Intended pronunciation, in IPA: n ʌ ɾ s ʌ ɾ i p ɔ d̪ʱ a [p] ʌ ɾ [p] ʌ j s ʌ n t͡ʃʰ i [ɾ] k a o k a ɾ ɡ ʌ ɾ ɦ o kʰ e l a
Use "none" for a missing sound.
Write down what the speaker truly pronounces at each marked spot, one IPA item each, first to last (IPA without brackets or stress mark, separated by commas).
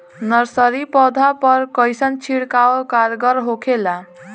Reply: p, k, ɽ